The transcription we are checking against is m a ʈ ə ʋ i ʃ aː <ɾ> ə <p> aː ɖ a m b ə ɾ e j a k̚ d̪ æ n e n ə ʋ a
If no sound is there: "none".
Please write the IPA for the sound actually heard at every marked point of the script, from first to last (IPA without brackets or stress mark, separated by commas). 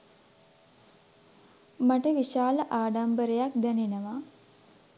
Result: l, ʔ